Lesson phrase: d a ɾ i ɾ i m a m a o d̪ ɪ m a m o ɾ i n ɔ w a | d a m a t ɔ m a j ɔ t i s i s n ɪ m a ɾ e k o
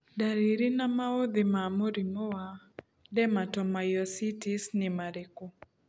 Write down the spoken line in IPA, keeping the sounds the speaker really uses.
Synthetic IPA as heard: d a ɾ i ɾ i n a m a o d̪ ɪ m a m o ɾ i m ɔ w a | d ɛ m a t ɔ m a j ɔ s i t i s n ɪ m a ɾ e k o